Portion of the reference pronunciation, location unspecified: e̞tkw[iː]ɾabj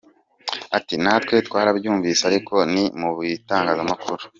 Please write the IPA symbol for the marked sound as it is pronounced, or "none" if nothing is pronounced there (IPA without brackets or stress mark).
aː